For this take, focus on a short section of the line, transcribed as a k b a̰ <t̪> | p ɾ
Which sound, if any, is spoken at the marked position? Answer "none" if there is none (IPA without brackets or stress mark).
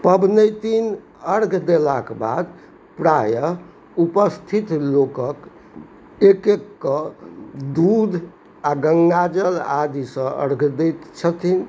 d̪